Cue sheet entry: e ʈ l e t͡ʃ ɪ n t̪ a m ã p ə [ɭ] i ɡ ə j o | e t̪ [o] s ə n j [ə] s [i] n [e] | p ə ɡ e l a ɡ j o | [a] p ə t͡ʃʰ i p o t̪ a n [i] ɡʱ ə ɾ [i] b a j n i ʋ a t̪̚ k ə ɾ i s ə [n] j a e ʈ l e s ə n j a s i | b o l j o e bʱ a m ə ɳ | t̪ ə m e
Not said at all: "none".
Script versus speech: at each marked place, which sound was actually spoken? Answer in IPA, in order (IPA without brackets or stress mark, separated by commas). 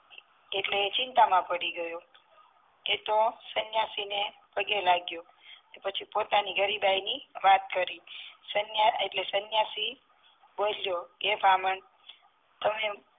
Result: ɽ, o, a, i, e, e, i, i, n